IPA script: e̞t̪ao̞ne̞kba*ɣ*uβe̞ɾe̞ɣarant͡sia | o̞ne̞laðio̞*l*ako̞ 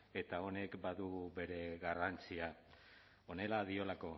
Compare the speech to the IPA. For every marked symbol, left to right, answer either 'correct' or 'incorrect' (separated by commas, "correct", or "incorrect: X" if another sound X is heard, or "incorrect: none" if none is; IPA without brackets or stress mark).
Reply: incorrect: ð, correct